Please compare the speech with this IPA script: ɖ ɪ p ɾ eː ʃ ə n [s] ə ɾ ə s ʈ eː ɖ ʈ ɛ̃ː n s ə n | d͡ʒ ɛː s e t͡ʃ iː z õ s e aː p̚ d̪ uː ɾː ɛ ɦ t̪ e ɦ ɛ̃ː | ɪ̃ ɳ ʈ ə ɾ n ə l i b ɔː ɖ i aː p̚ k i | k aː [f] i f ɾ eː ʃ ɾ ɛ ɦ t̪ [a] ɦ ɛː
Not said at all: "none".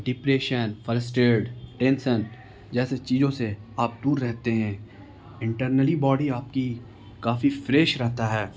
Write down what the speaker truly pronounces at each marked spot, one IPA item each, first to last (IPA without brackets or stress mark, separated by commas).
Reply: f, f, a